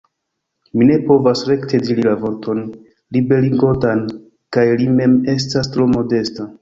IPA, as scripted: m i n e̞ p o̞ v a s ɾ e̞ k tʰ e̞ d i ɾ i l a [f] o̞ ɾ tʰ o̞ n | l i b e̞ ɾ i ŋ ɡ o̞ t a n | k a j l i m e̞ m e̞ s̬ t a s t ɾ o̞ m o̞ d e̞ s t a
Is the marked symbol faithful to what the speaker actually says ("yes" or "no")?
no